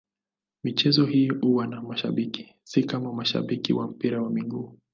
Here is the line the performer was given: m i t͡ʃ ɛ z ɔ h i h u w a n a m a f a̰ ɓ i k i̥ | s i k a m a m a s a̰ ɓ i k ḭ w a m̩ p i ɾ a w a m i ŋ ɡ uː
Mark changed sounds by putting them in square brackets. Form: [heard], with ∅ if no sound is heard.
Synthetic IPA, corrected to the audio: m i t͡ʃ ɛ z ɔ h i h u w a n a m a [ʃ] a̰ ɓ i k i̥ | s i k a m a m a [ʃ] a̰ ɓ i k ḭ w a m̩ p i ɾ a w a m i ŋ ɡ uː